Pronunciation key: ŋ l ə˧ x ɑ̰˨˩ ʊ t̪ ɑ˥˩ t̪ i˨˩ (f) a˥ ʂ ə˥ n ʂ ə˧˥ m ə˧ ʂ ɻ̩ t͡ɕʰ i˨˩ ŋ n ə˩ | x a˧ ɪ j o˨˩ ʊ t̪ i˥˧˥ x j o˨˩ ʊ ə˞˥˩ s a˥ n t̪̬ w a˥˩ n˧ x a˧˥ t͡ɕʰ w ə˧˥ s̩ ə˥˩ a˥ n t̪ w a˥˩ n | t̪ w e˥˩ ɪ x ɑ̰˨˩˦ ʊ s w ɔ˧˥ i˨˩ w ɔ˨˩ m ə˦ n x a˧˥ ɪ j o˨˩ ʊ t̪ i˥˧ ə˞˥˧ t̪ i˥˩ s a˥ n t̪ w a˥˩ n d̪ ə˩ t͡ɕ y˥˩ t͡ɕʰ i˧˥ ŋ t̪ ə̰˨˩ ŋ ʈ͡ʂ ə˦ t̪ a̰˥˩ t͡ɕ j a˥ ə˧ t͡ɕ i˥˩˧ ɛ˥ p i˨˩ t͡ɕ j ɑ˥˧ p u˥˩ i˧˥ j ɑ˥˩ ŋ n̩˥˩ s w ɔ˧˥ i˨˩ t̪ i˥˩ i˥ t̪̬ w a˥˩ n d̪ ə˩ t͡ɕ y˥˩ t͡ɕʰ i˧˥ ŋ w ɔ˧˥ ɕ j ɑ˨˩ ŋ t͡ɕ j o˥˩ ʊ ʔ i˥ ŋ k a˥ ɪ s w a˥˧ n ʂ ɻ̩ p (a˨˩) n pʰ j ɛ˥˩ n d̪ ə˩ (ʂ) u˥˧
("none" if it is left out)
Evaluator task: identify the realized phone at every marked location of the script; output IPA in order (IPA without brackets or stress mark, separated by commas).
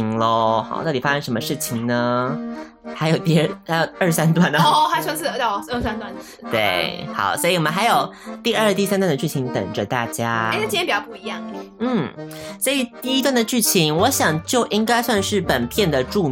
f, ə˨˩, ʈ͡ʂ